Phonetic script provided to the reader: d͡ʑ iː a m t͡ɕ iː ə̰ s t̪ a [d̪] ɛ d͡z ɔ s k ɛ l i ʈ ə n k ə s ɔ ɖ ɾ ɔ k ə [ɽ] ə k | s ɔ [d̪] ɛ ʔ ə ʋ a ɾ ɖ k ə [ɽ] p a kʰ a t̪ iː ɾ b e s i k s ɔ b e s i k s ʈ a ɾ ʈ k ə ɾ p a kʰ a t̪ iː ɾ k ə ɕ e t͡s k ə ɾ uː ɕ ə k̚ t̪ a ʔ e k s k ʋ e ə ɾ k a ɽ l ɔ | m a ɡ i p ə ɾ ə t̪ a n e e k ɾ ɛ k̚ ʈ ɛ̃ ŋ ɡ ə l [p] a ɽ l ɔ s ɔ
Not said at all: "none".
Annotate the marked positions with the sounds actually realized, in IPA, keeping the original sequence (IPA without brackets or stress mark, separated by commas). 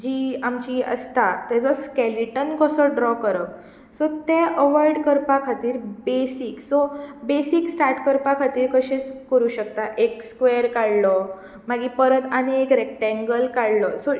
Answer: t̪, ɾ, t̪, ɾ, k